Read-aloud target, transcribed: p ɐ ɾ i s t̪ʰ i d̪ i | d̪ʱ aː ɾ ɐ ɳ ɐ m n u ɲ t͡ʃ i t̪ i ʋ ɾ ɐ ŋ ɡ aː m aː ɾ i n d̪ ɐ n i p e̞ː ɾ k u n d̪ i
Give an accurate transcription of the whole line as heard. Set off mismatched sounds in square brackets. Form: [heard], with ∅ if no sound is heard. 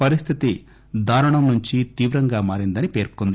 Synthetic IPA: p ɐ ɾ i s t̪ʰ i [t̪] i | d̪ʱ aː ɾ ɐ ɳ ɐ m n u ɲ t͡ʃ i t̪ [iː] ʋ ɾ ɐ ŋ ɡ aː m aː ɾ i n d̪ ɐ n i p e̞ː ɾ k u n d̪ i